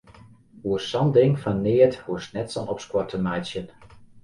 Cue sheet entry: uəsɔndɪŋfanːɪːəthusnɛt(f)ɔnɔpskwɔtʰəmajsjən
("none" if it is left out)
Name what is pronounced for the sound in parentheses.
s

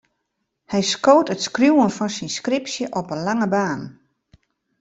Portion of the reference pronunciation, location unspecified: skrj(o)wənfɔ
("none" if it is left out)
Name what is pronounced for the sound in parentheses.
u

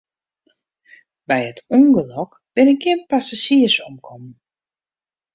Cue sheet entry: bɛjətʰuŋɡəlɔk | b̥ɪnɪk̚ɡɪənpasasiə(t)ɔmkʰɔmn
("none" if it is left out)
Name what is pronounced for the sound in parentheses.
s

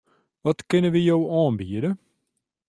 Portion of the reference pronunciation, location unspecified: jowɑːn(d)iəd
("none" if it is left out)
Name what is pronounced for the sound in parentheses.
b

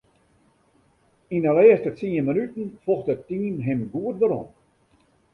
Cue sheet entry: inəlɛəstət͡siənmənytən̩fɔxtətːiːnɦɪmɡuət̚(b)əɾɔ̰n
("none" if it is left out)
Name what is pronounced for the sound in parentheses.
d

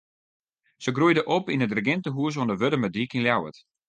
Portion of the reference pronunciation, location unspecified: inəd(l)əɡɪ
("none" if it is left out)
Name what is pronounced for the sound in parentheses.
r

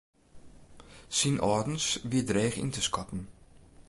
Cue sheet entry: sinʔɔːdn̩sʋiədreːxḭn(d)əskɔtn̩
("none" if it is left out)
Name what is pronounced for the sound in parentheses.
t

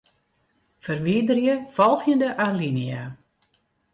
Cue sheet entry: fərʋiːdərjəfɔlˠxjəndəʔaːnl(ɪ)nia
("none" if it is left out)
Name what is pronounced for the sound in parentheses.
i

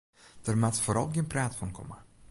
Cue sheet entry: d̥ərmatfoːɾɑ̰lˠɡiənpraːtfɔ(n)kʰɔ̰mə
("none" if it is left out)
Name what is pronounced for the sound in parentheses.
n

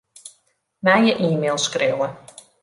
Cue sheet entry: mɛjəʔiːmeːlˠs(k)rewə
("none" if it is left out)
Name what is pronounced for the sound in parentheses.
k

